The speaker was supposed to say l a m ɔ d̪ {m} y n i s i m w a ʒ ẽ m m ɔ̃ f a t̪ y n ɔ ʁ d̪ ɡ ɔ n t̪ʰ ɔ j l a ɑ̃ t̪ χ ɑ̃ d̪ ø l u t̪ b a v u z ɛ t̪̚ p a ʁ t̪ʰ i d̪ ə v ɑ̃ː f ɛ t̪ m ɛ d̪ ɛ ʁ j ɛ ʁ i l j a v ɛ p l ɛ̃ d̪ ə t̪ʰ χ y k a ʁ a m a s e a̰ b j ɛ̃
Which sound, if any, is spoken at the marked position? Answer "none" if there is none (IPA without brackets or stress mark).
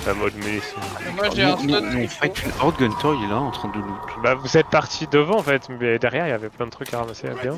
m